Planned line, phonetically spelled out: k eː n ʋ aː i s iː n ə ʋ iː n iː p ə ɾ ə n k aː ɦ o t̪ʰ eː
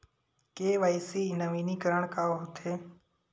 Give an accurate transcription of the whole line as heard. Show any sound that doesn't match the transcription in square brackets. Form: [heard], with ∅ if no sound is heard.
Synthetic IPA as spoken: k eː [∅] ʋ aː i s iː n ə ʋ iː n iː [k] ə ɾ ə [ɳ] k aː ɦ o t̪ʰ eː

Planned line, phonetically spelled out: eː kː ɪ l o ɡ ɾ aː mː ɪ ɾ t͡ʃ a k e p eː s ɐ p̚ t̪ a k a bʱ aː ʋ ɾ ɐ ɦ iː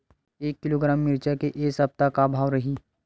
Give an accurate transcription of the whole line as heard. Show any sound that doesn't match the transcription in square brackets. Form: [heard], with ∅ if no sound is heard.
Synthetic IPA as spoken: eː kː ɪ l o ɡ ɾ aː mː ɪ ɾ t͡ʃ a k e [ʔ] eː s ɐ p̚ t̪ a k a bʱ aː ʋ ɾ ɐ ɦ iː

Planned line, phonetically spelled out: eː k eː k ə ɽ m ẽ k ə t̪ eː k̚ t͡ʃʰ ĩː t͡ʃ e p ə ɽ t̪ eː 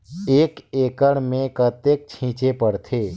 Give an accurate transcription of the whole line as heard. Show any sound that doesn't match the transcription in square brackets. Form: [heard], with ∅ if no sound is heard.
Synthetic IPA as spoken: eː k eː k ə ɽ m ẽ k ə t̪ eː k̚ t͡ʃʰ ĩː t͡ʃ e p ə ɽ [t̪ʰ] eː

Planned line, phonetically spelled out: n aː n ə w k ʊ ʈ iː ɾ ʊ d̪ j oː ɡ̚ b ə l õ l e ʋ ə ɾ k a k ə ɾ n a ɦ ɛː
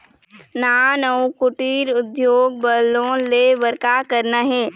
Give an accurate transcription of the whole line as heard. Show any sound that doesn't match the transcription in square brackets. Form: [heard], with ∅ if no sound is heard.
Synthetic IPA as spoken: n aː n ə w k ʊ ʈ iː ɾ ʊ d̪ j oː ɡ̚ b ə l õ l e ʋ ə ɾ k a k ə ɾ n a ɦ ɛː

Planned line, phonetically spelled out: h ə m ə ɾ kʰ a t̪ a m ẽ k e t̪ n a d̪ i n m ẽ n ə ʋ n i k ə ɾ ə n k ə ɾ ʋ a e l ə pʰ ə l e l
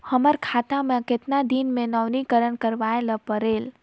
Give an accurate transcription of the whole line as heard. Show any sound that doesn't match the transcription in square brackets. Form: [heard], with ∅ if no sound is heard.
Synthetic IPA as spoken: h ə m ə ɾ kʰ a t̪ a m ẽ k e t̪ n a d̪ i n m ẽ n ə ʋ n i k ə ɾ ə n k ə ɾ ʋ a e l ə [p] ə [ɾ] e l

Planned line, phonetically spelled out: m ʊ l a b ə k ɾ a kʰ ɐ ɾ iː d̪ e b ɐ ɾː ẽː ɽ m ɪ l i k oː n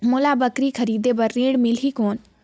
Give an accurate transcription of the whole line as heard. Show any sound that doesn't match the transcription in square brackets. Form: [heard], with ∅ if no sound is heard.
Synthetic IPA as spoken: m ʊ l a b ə k ɾ [i] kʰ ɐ ɾ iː d̪ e b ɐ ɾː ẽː ɽ m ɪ l i k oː n

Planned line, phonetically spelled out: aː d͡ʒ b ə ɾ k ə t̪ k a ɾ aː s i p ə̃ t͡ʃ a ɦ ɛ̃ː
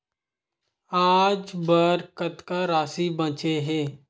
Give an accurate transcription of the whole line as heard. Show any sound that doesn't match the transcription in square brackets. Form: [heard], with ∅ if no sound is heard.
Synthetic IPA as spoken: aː d͡ʒ b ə ɾ k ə t̪ k a ɾ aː s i [b] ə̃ t͡ʃ [e] ɦ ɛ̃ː

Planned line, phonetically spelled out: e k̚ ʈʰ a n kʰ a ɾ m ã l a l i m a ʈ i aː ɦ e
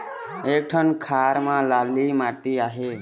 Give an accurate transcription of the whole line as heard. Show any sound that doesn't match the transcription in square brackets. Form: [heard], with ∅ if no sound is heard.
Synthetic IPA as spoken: e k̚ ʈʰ [ə] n kʰ a ɾ m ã l a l i m a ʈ i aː ɦ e

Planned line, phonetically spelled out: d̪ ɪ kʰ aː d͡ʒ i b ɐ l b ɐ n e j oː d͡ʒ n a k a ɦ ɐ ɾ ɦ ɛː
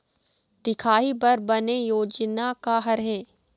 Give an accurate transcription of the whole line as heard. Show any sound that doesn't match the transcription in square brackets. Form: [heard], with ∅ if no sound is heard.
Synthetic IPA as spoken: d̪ ɪ kʰ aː [∅] i b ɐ [ɾ] b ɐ n e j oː d͡ʒ n a k a ɦ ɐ ɾ ɦ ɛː

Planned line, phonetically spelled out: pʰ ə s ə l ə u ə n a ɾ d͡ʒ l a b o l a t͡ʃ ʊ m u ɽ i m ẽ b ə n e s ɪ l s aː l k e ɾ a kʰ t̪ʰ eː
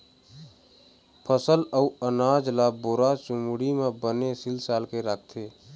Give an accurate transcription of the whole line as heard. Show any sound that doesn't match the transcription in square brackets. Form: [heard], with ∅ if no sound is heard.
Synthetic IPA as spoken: pʰ ə s ə l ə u ə n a [∅] d͡ʒ l a b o [ɾ] a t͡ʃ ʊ m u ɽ i m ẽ b ə n e s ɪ l s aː l k e ɾ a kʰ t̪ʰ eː

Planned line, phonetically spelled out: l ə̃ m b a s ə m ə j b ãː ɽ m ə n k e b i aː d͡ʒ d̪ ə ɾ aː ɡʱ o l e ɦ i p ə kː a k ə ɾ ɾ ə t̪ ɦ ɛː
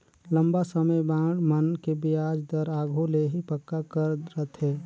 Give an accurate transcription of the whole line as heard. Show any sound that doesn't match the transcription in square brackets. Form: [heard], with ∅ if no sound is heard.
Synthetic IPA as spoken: l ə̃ m b a s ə m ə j b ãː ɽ m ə n k e b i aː d͡ʒ d̪ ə ɾ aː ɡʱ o l e ɦ i p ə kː a k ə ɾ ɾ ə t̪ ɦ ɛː

